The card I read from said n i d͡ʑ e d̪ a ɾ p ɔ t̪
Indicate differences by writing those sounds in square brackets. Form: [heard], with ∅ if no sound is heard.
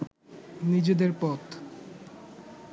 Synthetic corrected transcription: n i d͡ʑ e d̪ [e] ɾ p ɔ t̪